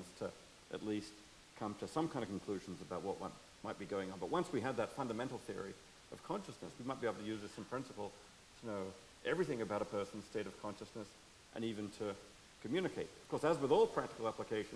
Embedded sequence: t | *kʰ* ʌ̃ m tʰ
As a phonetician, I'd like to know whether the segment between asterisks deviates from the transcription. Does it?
no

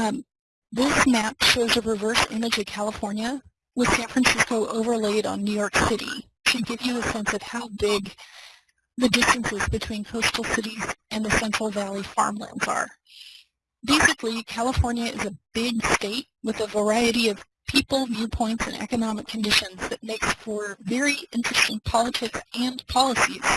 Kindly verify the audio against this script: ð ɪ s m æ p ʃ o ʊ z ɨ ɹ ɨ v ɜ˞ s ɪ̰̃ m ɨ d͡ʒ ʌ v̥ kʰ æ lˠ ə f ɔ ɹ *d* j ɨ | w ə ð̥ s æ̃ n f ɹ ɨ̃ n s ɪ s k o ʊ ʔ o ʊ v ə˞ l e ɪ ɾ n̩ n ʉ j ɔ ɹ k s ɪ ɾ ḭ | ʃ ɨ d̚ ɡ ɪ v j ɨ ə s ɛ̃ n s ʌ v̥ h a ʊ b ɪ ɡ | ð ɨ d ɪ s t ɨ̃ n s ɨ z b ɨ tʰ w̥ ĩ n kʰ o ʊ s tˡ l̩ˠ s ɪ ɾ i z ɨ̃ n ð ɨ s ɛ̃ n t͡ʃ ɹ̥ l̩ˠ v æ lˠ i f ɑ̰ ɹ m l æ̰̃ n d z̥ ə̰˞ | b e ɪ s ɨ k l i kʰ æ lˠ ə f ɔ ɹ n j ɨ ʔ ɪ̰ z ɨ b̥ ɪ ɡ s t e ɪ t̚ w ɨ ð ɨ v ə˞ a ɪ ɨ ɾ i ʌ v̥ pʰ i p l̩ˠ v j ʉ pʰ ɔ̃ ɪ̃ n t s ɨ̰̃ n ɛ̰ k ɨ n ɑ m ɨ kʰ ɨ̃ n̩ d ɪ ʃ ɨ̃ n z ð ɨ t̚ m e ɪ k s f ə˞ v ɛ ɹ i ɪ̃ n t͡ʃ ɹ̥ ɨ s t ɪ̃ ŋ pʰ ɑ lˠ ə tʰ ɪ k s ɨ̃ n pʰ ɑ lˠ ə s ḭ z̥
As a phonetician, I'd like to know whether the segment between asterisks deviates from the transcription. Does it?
yes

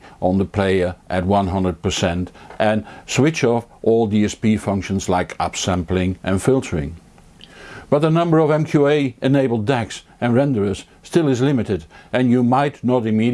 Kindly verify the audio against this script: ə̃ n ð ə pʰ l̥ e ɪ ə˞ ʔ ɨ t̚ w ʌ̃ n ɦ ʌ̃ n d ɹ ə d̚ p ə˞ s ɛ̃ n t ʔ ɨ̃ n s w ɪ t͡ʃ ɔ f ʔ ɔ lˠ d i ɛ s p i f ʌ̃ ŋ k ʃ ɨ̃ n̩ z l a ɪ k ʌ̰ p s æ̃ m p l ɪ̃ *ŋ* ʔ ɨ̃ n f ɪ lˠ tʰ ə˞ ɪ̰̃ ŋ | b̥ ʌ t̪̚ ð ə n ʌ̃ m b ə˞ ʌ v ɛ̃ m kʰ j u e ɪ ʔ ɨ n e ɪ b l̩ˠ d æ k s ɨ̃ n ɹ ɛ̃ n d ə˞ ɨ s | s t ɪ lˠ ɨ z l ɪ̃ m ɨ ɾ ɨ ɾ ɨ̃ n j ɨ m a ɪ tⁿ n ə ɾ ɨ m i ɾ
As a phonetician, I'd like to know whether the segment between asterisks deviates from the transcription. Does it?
no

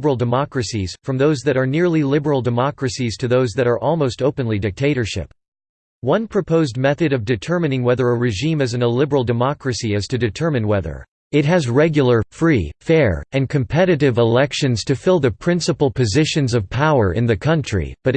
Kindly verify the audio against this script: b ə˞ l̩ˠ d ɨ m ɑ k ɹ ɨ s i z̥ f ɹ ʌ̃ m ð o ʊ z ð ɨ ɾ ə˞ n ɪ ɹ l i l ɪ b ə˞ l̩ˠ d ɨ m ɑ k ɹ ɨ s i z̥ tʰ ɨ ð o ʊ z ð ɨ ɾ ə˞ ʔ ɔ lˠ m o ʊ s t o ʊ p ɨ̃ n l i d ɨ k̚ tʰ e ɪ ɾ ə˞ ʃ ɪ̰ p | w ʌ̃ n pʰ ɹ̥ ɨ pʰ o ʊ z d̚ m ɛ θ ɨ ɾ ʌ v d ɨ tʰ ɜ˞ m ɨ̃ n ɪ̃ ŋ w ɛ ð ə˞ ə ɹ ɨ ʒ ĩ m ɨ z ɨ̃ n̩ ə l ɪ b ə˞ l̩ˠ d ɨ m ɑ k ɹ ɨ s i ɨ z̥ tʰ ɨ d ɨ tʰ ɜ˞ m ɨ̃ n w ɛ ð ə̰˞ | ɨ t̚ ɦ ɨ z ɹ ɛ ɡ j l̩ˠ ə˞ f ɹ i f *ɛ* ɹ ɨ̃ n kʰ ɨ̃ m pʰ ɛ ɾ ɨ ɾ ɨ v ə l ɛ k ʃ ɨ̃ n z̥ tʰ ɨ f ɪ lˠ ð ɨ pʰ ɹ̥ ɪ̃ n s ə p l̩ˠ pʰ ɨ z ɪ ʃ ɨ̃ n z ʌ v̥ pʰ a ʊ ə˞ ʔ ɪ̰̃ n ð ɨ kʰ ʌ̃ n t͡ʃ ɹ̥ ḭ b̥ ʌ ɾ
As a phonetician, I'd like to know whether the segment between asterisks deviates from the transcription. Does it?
no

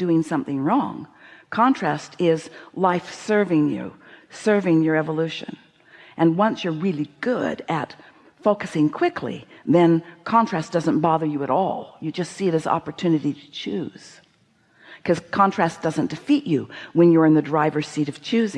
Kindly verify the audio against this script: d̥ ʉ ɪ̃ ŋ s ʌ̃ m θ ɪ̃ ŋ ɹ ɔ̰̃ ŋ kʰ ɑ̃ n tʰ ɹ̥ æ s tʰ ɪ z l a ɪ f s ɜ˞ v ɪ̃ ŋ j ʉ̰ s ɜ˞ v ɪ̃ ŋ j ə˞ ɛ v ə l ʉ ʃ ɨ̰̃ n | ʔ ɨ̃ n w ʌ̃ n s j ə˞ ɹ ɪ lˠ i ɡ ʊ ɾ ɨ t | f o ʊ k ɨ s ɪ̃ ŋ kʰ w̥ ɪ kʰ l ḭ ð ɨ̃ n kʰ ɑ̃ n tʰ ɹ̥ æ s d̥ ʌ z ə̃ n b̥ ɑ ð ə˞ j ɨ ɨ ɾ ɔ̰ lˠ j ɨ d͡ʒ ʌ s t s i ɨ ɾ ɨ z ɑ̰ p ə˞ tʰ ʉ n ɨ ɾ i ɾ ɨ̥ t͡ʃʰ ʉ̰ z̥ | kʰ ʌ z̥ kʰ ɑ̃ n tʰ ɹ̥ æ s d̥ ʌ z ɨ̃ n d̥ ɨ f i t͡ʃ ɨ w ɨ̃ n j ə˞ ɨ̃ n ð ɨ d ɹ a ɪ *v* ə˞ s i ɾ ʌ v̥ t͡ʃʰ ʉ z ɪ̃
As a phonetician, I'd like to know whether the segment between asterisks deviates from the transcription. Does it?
no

